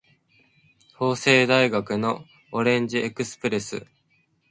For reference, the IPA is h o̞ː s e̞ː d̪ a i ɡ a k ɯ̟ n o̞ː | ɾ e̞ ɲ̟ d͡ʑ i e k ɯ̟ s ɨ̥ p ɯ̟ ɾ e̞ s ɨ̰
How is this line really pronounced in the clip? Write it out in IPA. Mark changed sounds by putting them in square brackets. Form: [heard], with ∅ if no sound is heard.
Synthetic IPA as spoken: h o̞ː s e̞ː d̪ a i ɡ a k ɯ̟ n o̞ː | ɾ [ẽ̞] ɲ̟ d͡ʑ i e k ɯ̟ s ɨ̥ p ɯ̟ ɾ e̞ s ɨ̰